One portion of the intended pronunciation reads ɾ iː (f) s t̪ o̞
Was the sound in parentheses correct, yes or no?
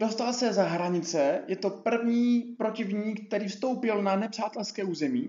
yes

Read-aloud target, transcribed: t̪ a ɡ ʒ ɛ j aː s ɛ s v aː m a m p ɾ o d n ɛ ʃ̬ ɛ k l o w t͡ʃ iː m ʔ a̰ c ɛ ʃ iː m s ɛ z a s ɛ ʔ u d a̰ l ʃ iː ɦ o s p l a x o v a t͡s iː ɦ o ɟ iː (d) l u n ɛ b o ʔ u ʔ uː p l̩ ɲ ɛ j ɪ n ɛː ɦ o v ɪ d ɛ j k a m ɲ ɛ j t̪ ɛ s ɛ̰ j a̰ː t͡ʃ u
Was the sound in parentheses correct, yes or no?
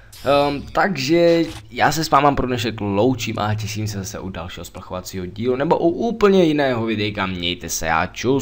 no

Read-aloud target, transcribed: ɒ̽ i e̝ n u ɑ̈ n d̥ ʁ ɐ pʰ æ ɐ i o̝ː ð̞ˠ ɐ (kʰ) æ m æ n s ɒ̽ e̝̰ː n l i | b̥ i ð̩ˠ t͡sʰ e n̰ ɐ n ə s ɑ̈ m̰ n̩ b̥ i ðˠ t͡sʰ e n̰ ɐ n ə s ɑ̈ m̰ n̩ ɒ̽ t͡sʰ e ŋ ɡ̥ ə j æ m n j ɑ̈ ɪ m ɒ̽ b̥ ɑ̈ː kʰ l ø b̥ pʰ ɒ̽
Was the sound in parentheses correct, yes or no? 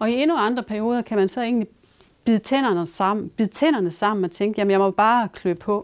yes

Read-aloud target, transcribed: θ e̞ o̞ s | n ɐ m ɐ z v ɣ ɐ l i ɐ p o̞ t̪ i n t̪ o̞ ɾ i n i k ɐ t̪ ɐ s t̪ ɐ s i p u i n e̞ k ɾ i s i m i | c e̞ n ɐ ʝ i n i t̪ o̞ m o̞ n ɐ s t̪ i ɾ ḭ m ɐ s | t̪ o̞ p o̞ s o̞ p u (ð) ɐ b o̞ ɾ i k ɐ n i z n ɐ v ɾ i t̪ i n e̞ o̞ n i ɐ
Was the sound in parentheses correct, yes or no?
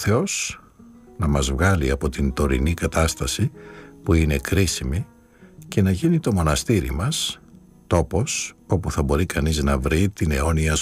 no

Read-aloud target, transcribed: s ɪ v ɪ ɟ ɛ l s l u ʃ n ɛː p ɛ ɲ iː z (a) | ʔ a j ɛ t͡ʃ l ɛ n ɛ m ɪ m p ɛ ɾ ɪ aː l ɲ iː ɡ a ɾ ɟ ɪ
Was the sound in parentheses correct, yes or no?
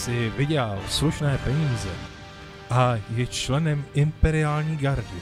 no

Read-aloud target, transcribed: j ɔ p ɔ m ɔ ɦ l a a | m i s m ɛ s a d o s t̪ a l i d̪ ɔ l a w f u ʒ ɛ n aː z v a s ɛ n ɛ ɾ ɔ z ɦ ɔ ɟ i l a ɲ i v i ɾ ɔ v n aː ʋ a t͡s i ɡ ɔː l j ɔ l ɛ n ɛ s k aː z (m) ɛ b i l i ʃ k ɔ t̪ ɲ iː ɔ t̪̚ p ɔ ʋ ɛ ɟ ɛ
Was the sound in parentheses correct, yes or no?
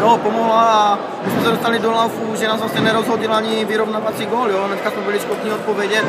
yes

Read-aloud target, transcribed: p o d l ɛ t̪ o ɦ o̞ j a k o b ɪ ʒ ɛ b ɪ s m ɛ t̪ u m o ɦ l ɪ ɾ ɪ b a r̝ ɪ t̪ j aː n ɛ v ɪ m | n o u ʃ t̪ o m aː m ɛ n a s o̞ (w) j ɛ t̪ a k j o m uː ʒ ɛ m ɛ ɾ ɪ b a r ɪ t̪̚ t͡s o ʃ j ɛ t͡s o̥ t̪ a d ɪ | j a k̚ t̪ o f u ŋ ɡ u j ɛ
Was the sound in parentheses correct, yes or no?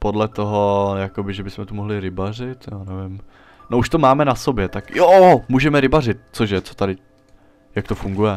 no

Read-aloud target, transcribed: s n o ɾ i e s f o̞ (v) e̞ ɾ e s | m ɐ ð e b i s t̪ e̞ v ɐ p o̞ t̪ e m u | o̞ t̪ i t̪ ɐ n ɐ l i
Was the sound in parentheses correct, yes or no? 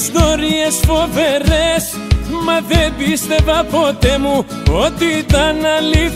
yes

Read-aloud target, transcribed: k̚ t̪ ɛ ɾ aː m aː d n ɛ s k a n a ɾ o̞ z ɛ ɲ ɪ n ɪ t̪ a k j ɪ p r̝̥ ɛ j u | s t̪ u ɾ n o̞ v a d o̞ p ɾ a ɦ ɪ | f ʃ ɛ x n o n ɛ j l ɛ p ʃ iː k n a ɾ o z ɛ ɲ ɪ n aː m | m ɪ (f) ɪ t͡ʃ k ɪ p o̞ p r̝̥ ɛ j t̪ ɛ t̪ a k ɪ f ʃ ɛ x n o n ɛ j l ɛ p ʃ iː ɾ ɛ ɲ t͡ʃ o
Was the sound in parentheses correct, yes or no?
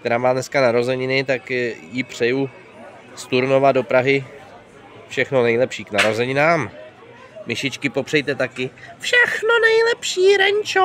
no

